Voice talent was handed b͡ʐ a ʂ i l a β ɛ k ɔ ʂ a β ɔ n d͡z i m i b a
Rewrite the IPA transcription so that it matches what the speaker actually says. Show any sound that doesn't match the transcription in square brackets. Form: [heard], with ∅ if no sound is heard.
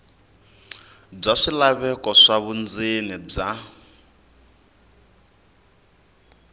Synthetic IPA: b͡ʐ a ʂ i l a β ɛ k ɔ ʂ a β [u] n d͡z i [n] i [b͡ʐ] a